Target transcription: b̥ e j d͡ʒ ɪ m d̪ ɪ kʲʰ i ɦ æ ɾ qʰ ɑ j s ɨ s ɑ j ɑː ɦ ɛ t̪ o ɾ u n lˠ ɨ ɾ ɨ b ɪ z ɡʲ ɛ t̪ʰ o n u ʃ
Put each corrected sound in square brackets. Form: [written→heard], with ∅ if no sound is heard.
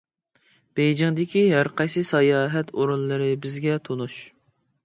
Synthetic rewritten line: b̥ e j d͡ʒ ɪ [m→ŋ] d̪ ɪ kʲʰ i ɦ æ ɾ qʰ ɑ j s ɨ s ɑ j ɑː ɦ ɛ t̪ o ɾ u n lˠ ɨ ɾ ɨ b ɪ z ɡʲ ɛ t̪ʰ o n u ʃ